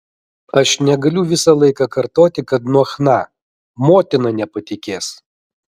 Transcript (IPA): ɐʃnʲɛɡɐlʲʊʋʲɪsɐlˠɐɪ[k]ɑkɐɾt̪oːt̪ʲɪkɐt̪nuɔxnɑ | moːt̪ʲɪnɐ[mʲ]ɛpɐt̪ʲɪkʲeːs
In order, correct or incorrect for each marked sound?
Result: correct, incorrect: nʲ

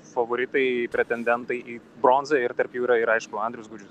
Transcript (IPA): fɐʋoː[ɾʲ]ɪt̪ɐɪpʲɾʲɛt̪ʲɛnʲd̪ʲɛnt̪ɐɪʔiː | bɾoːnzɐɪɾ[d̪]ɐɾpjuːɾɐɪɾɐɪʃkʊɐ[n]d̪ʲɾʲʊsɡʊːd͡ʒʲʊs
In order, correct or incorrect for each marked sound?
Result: correct, incorrect: t̪, correct

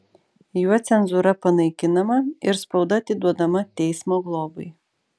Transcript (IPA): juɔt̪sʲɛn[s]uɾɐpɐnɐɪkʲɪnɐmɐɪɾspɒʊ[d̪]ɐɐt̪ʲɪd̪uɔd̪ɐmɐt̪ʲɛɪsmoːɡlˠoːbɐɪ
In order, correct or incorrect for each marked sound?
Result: incorrect: z, correct

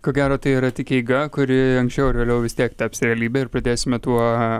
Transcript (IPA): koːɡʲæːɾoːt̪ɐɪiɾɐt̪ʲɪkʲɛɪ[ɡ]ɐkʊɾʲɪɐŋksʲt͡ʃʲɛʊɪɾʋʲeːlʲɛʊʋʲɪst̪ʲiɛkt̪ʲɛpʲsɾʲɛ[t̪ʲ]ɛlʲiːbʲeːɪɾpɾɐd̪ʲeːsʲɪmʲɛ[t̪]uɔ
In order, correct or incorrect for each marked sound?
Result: correct, incorrect: none, correct

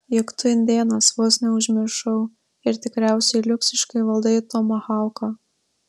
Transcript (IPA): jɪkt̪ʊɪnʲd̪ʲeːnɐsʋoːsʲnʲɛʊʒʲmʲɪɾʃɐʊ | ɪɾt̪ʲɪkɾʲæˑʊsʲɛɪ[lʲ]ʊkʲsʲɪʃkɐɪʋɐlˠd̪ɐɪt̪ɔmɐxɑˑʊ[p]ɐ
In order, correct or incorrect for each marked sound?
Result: correct, incorrect: k

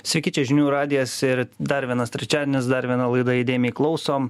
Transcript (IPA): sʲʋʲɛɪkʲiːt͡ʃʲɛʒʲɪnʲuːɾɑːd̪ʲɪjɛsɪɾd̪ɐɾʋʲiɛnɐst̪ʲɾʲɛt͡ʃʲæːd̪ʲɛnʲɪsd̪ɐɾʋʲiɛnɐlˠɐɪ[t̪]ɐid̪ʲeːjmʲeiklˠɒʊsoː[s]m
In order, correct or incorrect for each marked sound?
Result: incorrect: d̪, incorrect: none

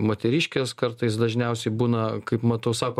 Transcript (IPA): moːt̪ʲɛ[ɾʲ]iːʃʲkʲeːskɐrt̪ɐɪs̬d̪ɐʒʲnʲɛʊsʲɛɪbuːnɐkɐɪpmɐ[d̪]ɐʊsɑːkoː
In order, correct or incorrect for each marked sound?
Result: correct, incorrect: t̪

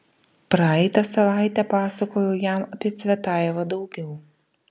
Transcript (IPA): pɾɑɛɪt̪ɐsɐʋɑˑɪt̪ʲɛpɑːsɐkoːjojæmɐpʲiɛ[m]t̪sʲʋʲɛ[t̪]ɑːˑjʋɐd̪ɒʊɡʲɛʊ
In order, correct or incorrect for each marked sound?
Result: incorrect: none, correct

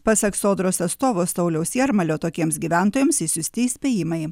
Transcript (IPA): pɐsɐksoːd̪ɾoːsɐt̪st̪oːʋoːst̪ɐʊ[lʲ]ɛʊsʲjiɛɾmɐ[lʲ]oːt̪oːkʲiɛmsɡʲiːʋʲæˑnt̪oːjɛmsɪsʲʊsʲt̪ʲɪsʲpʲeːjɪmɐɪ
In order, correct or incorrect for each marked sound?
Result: correct, correct

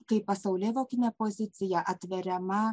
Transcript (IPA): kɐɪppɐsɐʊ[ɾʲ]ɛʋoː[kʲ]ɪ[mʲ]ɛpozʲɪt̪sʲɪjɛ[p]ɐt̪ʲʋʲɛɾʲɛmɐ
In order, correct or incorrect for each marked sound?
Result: incorrect: lʲ, correct, incorrect: nʲ, incorrect: ʔ

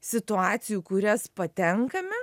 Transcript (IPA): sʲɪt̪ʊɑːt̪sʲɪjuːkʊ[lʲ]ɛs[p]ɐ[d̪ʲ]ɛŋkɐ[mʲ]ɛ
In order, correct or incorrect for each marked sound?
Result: incorrect: ɾʲ, correct, incorrect: t̪ʲ, correct

